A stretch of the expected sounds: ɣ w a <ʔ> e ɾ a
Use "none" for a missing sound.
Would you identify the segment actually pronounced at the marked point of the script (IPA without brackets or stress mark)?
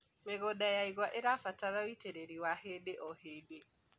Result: ʔ